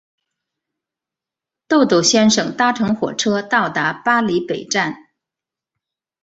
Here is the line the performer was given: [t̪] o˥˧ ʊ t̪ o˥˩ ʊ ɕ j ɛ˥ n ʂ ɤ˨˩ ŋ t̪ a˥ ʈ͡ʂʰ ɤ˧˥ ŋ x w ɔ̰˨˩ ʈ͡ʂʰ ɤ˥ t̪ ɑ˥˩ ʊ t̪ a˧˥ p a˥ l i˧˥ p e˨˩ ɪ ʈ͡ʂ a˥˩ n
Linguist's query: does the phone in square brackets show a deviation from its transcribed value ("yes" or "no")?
no